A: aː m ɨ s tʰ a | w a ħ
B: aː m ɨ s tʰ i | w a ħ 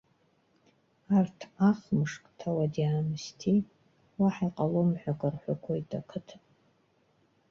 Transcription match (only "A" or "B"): B